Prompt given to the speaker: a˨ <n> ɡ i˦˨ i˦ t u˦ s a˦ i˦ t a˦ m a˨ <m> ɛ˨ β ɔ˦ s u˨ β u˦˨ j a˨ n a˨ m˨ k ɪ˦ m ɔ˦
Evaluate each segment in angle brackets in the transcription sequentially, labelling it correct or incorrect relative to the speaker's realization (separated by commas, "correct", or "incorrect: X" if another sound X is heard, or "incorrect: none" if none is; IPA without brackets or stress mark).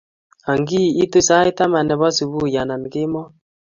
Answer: incorrect: ŋ, incorrect: n